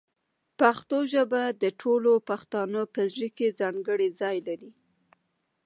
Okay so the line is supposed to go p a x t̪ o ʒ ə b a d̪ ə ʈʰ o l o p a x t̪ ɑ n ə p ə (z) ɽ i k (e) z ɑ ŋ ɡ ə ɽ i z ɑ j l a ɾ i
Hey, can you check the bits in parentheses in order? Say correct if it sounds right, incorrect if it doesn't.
correct, correct

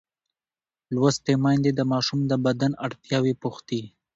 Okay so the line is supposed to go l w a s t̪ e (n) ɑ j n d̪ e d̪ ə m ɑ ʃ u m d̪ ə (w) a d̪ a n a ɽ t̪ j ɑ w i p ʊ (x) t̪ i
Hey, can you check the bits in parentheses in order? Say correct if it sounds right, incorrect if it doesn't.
incorrect: m, incorrect: b, correct

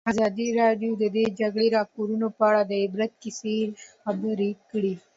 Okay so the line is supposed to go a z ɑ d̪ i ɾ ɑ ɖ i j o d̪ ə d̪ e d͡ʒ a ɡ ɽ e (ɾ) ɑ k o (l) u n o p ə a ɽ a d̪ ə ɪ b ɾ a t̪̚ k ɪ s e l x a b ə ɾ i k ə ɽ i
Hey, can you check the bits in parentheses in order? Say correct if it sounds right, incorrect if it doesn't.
correct, incorrect: ɾ

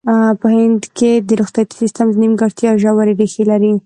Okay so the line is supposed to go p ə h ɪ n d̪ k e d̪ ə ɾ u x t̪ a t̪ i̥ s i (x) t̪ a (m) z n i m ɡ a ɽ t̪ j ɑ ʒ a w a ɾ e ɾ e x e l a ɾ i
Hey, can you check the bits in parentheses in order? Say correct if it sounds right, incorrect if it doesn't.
incorrect: s, correct

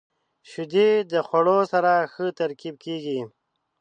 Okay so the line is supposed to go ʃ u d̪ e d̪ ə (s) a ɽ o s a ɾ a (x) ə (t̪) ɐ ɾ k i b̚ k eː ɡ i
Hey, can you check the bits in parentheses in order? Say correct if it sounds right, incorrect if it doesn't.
incorrect: x, correct, correct

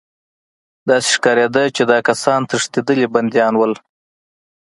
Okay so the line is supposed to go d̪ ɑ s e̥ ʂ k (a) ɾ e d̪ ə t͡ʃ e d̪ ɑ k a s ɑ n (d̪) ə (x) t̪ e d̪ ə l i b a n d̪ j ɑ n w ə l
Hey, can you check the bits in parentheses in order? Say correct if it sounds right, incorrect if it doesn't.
incorrect: ɑ, incorrect: t̪, incorrect: ʂ

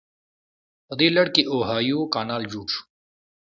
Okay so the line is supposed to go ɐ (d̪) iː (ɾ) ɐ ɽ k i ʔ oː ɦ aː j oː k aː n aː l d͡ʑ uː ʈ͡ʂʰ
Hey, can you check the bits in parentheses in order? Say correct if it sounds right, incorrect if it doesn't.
correct, incorrect: l

